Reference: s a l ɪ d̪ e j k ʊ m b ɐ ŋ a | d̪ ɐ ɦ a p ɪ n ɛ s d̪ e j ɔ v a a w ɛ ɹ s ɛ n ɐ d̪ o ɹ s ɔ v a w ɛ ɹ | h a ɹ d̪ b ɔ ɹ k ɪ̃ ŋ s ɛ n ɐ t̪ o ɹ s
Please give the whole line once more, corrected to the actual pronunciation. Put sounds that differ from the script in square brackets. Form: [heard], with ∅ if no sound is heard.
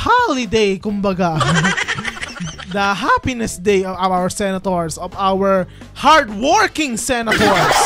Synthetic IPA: [h] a l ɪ d̪ e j k ʊ m b ɐ [ɡ] a | d̪ ɐ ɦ a p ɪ n ɛ s d̪ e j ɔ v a a w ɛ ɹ s ɛ n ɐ [t̪] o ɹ s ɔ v a w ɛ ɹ | h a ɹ d̪ [w] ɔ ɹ k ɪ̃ ŋ s ɛ n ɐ t̪ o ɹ s

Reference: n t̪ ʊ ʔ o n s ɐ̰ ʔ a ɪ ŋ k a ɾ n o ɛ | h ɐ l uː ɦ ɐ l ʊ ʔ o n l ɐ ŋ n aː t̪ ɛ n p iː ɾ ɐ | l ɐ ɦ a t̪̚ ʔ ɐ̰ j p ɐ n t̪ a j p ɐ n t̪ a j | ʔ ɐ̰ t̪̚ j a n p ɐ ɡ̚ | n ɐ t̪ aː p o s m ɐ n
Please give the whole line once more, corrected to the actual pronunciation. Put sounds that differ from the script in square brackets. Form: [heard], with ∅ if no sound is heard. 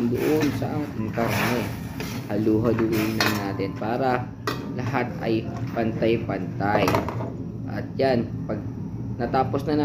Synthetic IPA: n [d̪] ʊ ʔ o n s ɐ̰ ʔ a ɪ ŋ k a ɾ n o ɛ | h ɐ l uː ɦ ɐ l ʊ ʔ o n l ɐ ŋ n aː t̪ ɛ n p [aː] ɾ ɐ | l ɐ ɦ a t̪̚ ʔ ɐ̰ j p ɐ n t̪ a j p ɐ n t̪ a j | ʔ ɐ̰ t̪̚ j a n p ɐ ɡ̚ | n ɐ t̪ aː p o s [n] ɐ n

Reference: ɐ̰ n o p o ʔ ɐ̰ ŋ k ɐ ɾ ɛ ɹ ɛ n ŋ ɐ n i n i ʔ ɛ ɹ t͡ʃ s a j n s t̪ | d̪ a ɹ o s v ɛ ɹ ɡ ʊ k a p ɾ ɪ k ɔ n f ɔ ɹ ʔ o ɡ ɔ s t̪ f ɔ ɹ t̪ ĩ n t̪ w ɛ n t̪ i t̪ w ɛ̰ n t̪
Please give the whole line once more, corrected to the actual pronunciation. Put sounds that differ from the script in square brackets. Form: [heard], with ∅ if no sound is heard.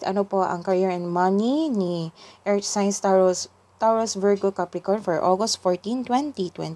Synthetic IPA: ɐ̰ n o p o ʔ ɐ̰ ŋ k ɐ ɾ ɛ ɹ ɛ n [m] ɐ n i n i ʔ ɛ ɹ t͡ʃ s a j n s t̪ | [t̪] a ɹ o s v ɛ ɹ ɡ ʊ k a p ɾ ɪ k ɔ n f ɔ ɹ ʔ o ɡ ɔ s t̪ f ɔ ɹ t̪ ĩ n t̪ w ɛ n t̪ i t̪ w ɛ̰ n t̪

